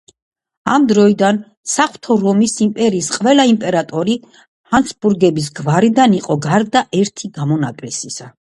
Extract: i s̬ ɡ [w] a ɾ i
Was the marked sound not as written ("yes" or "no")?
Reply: yes